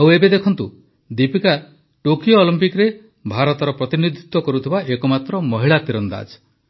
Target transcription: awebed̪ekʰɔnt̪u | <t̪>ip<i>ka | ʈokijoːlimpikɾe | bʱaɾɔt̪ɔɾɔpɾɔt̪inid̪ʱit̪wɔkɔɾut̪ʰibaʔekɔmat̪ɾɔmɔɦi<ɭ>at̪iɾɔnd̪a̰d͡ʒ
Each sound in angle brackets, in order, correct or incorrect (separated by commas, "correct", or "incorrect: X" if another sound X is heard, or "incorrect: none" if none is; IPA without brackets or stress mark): incorrect: d̪, correct, correct